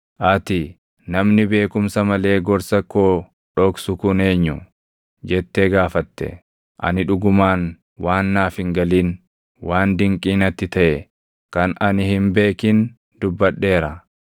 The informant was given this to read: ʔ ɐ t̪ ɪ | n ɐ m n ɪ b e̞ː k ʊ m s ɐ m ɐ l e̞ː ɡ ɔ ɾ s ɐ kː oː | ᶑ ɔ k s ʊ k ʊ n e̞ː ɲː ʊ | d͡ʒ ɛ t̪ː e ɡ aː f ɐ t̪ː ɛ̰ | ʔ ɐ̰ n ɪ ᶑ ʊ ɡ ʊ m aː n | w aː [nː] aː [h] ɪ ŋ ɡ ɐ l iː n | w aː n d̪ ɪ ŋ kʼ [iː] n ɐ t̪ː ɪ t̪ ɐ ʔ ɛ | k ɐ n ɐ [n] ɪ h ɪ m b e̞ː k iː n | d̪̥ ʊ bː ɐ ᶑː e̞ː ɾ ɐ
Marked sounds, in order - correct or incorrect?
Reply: correct, incorrect: f, correct, correct

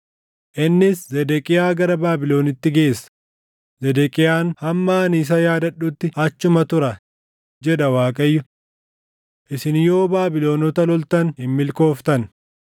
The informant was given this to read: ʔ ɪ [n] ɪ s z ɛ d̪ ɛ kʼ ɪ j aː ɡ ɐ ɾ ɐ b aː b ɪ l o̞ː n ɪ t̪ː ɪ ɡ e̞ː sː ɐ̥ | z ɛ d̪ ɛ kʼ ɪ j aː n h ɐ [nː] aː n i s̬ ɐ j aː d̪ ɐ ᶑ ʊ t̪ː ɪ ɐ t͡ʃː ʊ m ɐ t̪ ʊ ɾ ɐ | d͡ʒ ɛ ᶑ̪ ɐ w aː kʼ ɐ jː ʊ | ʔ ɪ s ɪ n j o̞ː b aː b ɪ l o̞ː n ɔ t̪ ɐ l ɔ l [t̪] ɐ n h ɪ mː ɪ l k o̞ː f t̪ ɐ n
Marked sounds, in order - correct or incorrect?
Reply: incorrect: nː, incorrect: mː, correct

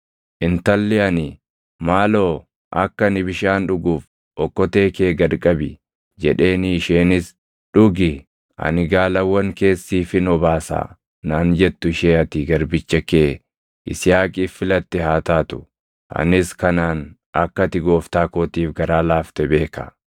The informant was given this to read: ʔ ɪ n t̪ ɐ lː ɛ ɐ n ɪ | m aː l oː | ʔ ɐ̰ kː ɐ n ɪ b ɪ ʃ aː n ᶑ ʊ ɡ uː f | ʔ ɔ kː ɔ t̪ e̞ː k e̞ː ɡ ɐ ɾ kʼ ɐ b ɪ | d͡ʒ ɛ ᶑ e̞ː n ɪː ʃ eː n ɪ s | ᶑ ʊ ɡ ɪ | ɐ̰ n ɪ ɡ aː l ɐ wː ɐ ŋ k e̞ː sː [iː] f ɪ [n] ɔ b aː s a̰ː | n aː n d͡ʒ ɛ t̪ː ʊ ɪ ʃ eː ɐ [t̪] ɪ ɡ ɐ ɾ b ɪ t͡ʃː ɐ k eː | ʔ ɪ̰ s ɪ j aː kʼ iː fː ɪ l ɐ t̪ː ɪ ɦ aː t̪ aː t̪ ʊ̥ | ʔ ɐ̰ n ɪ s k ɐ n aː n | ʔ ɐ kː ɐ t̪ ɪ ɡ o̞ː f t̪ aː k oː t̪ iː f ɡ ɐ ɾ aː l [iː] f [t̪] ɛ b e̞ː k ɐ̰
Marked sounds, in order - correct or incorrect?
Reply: correct, correct, correct, incorrect: aː, correct

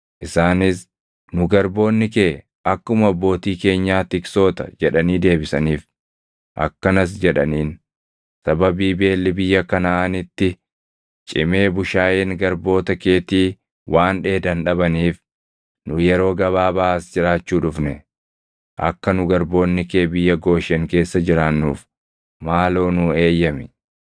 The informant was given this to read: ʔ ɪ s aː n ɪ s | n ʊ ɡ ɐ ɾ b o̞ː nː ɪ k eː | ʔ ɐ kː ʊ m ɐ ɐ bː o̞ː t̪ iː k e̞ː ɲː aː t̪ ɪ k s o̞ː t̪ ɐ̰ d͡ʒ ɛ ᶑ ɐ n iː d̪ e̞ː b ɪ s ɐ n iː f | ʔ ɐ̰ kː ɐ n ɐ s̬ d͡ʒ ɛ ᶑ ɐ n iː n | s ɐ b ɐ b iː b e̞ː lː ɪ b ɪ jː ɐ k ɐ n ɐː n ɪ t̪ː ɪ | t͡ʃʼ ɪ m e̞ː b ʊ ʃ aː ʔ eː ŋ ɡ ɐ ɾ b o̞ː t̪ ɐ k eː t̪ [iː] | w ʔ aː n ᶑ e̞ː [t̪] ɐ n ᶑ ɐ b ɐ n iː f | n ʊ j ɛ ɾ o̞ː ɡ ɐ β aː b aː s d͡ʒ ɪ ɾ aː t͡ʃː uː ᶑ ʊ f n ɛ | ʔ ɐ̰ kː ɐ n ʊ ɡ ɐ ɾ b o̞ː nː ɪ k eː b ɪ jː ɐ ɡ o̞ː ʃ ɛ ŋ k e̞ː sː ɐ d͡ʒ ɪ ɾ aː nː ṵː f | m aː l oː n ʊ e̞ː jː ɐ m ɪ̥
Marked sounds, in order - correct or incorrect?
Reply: correct, incorrect: d̪

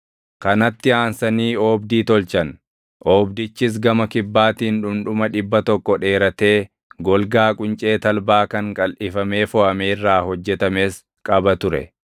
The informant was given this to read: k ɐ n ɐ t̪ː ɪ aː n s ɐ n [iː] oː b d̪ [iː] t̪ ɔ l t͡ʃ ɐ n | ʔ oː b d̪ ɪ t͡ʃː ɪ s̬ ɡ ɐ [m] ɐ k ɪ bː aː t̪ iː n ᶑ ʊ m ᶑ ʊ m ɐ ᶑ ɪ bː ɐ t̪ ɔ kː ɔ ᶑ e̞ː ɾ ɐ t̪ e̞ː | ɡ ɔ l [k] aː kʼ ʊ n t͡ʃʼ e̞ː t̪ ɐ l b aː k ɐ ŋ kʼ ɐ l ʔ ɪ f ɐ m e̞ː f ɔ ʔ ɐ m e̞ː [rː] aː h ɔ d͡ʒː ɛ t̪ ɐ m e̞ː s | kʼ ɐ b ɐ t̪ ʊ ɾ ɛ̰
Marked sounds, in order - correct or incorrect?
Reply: correct, correct, correct, incorrect: ɡ, correct

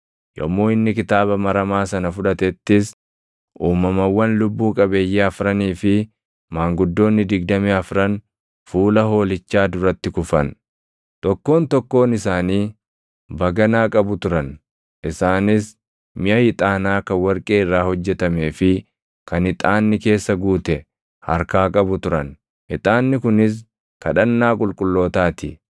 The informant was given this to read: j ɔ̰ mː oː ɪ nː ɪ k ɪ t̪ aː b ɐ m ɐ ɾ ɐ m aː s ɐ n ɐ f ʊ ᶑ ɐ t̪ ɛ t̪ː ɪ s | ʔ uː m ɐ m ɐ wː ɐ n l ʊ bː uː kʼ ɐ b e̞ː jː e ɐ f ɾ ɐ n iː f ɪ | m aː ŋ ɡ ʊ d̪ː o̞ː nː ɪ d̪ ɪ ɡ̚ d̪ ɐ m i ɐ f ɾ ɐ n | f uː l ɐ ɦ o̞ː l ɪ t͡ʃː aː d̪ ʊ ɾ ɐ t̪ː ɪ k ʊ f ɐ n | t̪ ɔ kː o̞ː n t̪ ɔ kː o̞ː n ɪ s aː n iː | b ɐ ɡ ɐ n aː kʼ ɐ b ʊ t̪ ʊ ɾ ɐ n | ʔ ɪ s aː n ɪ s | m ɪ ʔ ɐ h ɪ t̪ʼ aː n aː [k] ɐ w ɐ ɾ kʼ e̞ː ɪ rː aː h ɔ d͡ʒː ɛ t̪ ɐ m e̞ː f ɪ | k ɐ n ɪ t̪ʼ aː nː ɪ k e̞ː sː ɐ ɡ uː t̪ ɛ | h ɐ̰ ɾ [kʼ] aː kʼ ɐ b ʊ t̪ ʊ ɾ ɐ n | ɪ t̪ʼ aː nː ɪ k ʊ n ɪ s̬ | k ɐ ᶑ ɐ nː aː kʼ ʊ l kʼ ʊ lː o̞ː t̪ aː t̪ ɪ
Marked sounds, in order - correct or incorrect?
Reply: correct, incorrect: k

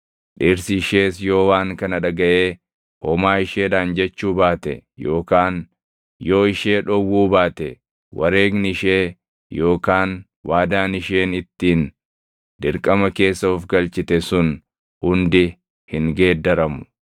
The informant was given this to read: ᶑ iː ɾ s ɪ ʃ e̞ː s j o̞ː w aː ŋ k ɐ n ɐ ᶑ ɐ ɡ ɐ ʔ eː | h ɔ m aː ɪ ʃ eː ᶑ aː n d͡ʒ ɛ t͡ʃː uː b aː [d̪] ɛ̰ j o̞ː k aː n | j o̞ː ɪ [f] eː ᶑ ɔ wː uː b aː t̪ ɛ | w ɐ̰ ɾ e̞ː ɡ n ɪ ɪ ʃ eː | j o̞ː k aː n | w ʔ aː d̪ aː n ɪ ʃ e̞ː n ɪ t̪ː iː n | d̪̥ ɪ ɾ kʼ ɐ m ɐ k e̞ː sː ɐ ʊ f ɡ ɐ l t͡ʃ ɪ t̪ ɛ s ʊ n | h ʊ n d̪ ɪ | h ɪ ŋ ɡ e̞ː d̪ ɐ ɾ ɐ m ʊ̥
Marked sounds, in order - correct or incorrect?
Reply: incorrect: t̪, incorrect: ʃ

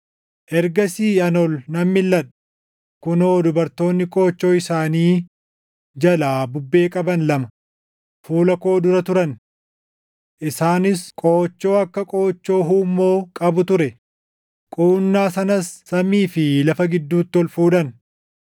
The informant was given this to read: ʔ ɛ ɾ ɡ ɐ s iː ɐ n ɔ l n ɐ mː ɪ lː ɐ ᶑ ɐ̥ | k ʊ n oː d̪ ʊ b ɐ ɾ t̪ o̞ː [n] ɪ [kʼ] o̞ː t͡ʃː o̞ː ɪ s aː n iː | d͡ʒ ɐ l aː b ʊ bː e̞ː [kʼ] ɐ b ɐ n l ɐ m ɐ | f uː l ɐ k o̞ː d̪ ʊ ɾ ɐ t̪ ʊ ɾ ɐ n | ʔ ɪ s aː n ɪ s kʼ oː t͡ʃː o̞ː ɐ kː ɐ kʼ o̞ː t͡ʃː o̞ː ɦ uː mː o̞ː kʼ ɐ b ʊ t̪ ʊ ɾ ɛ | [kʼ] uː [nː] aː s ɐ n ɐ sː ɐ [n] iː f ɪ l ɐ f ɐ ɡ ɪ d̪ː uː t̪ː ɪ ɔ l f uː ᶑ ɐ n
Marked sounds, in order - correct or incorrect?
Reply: incorrect: nː, correct, correct, correct, correct, incorrect: m

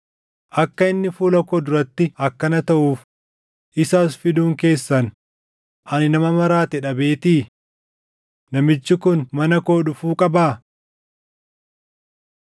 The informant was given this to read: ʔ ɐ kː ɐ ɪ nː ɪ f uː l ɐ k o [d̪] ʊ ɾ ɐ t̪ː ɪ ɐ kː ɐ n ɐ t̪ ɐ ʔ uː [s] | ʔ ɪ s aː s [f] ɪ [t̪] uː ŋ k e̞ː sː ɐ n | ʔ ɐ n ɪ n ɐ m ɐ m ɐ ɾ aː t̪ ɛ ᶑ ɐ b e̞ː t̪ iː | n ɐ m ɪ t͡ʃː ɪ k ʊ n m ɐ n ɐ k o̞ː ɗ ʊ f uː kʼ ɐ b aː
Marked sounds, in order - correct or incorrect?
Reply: correct, incorrect: f, correct, incorrect: d̪

